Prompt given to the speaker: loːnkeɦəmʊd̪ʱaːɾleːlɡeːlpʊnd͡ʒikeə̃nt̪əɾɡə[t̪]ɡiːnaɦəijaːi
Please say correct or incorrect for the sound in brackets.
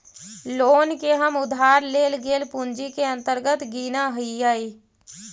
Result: correct